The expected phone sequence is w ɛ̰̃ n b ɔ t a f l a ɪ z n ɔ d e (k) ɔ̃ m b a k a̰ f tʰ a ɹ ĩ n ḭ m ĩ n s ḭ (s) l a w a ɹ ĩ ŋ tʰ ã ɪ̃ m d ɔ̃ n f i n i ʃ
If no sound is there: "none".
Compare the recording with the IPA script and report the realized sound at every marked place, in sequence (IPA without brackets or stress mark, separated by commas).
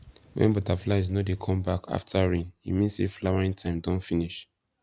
kʰ, f